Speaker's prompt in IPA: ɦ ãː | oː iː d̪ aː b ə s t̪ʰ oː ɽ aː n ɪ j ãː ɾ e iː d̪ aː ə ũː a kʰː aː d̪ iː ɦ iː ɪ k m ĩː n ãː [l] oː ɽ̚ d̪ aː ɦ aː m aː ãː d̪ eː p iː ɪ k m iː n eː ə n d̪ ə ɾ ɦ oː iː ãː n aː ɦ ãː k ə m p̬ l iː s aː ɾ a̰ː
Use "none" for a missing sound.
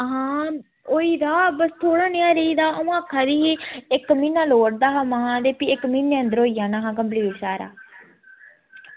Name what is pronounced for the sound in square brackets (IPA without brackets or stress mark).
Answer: l